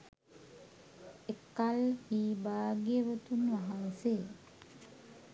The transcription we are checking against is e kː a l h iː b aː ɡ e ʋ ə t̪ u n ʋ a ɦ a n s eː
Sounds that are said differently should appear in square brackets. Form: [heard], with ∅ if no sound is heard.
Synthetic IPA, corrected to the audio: e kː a l h iː b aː ɡ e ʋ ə t̪ u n ʋ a ɦ a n s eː